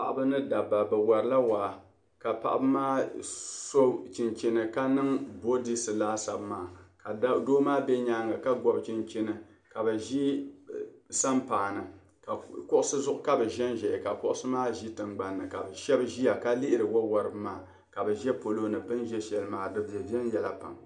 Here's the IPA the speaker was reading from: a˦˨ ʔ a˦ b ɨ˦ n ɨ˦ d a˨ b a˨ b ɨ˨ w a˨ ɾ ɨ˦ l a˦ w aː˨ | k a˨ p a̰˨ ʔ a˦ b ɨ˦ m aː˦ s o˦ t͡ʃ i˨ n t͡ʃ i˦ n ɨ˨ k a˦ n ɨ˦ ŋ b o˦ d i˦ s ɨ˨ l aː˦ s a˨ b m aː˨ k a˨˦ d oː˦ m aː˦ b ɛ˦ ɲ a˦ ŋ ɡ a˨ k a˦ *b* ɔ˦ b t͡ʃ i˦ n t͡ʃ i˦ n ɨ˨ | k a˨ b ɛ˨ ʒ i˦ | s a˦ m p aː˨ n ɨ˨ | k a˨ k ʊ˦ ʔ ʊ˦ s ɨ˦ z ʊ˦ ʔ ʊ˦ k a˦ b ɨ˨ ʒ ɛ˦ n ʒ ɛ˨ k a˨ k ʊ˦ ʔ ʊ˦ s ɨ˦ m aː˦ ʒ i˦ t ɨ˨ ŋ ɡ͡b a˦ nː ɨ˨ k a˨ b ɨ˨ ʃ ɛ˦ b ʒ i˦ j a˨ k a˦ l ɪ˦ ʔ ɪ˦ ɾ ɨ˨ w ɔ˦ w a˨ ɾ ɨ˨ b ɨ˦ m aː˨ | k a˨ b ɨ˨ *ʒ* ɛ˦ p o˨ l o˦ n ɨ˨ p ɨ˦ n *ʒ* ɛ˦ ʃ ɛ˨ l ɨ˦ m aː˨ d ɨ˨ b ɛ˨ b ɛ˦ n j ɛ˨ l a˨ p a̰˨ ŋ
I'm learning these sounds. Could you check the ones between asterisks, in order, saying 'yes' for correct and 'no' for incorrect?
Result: no, yes, yes

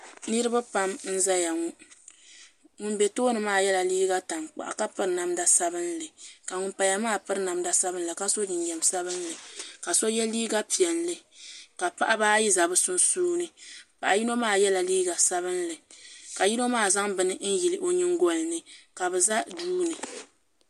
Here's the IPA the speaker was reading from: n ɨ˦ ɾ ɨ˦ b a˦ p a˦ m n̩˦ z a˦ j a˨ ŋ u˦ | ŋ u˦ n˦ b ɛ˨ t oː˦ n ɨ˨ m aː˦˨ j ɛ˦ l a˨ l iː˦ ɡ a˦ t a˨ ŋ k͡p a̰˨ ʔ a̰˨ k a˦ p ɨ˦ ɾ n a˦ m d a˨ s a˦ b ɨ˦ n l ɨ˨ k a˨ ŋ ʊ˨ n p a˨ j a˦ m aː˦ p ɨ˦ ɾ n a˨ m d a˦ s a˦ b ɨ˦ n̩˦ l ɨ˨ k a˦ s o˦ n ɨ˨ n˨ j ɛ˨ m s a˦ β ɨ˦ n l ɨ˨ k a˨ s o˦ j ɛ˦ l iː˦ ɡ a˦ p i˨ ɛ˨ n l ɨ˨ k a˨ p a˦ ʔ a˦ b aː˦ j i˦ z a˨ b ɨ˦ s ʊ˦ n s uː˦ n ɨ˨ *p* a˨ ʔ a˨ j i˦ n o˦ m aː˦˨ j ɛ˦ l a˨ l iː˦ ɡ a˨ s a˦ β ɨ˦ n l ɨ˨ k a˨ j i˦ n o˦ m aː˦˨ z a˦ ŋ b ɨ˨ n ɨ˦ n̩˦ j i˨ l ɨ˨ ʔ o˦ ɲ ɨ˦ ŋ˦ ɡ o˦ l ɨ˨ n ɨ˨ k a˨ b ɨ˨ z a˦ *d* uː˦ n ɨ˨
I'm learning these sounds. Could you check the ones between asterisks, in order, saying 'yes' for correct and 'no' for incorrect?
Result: yes, yes

